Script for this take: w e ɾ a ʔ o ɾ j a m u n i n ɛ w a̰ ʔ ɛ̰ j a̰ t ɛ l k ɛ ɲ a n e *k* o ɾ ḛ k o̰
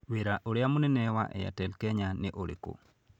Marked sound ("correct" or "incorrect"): incorrect